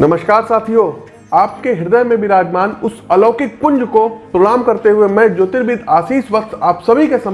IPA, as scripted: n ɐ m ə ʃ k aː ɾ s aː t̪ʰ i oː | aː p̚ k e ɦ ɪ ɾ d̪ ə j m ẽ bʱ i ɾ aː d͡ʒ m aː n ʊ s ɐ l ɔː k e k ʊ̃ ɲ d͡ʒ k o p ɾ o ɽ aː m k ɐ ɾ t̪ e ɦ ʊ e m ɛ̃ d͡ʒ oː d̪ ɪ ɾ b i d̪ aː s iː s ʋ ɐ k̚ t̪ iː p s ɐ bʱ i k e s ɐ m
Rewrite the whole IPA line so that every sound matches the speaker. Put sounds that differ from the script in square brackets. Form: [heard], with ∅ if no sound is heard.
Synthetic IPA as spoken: n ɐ m ə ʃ k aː ɾ s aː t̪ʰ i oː | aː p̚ k e ɦ ɪ ɾ d̪ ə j m ẽ bʱ i ɾ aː d͡ʒ m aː n ʊ s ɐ l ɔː k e k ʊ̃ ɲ d͡ʒ k o p ɾ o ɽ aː m k ɐ ɾ t̪ e ɦ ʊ e m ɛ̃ d͡ʒ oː [t̪] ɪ ɾ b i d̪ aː s iː s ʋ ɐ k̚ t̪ [aː] p s ɐ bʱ i k e s ɐ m